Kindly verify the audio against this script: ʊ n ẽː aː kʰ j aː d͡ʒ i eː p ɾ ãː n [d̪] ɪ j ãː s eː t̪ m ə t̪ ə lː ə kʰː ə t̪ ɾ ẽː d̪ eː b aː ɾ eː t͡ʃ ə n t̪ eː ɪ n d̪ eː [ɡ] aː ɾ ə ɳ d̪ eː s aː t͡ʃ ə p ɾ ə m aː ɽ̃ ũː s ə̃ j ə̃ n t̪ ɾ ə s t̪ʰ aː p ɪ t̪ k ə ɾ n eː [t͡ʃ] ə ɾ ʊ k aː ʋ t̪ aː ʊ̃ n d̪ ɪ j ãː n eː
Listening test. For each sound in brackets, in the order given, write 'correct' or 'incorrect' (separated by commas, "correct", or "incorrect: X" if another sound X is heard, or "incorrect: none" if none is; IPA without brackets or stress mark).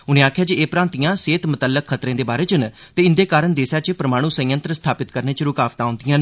incorrect: t̪, incorrect: k, correct